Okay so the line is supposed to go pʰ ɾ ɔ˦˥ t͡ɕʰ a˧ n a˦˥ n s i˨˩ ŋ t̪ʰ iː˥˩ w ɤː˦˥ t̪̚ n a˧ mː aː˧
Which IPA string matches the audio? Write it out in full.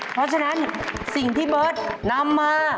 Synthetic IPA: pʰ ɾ ɔ˦˥ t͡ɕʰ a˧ n a˦˥ n s i˨˩ ŋ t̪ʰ iː˥˩ b ɤː˦˥ t̪̚ n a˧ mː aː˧